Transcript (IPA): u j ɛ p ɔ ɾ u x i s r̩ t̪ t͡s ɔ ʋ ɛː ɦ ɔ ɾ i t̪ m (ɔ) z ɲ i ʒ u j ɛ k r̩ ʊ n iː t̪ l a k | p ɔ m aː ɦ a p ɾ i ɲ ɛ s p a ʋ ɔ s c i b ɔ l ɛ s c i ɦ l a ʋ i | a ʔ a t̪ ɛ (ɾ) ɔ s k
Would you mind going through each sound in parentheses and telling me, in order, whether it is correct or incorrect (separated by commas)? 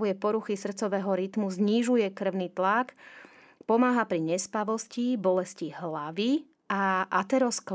incorrect, correct